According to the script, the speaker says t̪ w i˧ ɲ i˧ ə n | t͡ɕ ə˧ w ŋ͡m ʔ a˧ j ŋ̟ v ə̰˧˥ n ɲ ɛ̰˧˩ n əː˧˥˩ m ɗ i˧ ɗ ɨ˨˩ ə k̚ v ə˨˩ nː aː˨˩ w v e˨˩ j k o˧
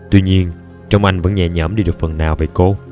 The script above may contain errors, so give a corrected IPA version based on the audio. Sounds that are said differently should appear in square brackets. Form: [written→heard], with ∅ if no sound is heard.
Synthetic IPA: t̪ w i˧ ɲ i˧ ə n | t͡ɕ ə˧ w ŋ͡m ʔ a˧ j ŋ̟ v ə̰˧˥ n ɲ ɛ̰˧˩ [n→ɲ] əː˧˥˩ m ɗ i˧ ɗ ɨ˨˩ ə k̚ [v→f] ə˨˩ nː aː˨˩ w v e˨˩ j k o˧